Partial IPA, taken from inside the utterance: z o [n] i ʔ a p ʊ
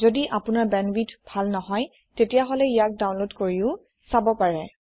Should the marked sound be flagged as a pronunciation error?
yes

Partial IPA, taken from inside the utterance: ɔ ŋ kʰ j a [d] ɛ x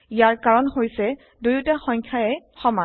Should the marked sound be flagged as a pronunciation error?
yes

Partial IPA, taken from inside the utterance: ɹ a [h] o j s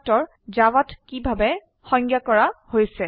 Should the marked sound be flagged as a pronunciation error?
no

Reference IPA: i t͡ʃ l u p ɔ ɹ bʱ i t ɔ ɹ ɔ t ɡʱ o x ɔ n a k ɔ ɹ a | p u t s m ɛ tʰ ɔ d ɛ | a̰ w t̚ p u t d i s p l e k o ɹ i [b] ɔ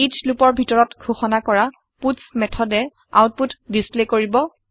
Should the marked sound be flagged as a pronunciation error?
no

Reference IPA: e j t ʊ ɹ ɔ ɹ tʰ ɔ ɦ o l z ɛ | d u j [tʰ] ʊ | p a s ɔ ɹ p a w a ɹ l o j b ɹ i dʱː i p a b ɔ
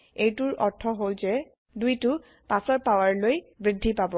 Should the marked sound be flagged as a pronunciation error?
yes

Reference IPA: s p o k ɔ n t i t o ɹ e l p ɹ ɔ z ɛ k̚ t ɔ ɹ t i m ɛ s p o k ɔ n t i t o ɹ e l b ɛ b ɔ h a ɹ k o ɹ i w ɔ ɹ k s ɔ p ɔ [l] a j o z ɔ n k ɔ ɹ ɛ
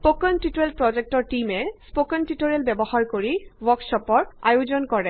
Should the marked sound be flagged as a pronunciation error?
yes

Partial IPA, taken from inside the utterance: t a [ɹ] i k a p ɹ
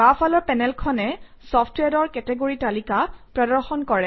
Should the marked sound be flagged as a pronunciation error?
yes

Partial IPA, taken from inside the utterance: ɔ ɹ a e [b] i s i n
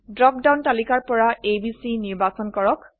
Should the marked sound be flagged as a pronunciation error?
no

